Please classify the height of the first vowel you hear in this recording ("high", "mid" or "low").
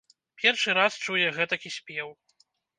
mid